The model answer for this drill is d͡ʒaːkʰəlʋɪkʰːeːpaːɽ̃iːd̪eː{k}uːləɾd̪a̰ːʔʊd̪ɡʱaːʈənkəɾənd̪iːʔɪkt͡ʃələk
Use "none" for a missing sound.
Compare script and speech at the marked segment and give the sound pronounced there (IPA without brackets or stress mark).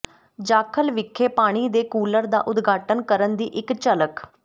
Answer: k